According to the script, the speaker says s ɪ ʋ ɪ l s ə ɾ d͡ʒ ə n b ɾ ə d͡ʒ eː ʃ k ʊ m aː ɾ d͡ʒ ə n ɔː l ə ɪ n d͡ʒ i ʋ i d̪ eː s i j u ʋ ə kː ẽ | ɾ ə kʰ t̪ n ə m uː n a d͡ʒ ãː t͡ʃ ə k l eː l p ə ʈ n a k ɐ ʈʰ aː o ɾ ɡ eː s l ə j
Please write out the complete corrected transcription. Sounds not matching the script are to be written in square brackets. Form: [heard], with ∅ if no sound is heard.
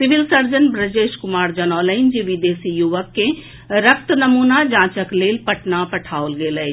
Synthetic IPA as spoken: s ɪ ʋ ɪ l s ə ɾ d͡ʒ ə n b ɾ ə d͡ʒ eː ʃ k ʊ m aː ɾ d͡ʒ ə n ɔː l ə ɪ n d͡ʒ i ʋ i d̪ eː s i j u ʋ ə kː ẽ | ɾ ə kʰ t̪ n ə m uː n a d͡ʒ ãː t͡ʃ ə k l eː l p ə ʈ n a [p] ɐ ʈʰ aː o [l] ɡ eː [∅] l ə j

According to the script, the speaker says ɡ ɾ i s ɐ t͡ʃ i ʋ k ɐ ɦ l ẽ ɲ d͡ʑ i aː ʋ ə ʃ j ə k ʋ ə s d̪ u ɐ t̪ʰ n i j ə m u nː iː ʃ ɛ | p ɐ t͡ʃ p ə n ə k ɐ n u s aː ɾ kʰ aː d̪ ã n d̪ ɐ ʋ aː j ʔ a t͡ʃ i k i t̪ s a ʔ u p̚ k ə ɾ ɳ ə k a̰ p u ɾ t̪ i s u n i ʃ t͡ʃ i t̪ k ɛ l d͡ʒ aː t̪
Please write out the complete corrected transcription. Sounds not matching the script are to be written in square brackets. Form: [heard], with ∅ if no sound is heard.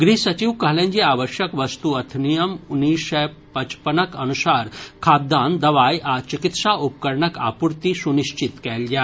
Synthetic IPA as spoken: ɡ ɾ i s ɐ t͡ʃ i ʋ k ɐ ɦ l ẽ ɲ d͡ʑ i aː ʋ ə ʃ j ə k ʋ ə s [t̪] u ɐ t̪ʰ n i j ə m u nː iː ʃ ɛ | p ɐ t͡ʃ p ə n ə k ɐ n u s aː ɾ kʰ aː d̪ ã n d̪ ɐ ʋ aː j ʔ a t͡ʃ i k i t̪ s a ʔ u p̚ k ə ɾ ɳ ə k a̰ p u ɾ t̪ i s u n i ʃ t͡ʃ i t̪ k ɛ l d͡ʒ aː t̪

